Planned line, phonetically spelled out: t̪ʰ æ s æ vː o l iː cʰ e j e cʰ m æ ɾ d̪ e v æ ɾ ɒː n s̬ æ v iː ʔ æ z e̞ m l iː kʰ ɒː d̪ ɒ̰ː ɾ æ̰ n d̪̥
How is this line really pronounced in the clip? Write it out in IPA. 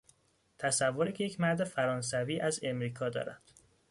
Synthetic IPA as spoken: t̪ʰ æ s æ vː o ɾ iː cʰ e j e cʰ m æ ɾ d̪ e f æ ɾ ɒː n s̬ æ v iː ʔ æ z e̞ m ɾ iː kʰ ɒː d̪ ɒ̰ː ɾ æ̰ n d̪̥

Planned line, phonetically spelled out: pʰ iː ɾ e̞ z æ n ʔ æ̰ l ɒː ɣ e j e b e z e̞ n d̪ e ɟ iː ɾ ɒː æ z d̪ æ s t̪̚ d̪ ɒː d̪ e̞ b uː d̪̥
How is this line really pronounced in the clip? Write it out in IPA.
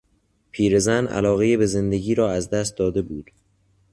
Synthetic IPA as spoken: pʰ iː ɾ e̞ z æ n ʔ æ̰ l ɒː ɣ e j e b e z e̞ n d̪ e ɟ iː ɾ ɒː æ z d̪ æ s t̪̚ d̪ ɒː d̪ e̞ b uː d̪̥

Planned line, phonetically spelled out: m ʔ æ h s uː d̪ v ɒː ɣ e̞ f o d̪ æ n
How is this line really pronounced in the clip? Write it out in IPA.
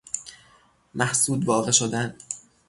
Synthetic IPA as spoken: m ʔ æ h s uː d̪ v ɒː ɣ e̞ ʃ o d̪ æ n

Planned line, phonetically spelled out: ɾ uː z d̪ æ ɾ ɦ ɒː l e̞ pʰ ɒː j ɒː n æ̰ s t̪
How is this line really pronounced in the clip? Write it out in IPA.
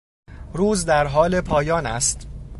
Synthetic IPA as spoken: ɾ uː z d̪ æ ɾ ɦ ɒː l e̞ pʰ ɒː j ɒː n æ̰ s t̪

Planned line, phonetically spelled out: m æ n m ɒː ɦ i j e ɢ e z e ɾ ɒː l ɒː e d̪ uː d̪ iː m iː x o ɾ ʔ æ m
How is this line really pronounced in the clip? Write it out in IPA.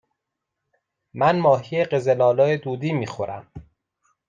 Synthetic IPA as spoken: m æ n m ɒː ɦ i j e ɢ e z e l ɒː l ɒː e d̪ uː d̪ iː m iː x o ɾ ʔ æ m

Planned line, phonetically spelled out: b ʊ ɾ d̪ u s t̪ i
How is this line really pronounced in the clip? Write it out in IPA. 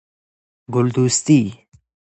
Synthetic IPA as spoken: ɡ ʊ l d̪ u s t̪ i

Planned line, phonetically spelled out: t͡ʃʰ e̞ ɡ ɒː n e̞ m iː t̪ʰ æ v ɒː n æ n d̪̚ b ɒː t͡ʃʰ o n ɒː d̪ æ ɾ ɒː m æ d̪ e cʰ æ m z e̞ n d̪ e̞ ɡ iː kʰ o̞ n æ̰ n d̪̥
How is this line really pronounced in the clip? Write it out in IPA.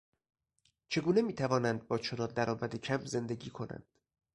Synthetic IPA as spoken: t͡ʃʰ e̞ ɡ uː n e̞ m iː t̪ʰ æ v ɒː n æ n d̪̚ b ɒː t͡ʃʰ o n ɒː d̪ æ ɾ ɒː m æ d̪ e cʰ æ m z e̞ n d̪ e̞ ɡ iː kʰ o̞ n æ̰ n d̪̥

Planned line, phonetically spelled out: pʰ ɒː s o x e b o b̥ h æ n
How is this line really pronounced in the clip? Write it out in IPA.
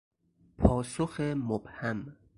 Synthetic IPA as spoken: pʰ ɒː s o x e m o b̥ h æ m

